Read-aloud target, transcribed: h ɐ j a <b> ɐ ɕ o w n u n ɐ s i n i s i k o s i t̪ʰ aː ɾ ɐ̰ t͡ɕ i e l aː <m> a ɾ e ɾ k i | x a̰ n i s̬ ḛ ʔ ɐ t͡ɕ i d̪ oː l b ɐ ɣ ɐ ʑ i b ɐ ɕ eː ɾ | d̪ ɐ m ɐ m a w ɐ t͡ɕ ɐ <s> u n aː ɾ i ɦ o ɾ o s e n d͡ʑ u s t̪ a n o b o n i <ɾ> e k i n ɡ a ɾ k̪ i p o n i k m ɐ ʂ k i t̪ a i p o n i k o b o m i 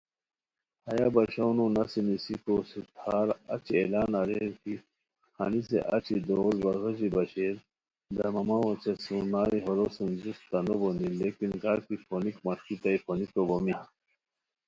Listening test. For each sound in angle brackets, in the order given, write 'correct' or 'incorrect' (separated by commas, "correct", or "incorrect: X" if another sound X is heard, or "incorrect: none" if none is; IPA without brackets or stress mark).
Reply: correct, incorrect: n, correct, incorrect: l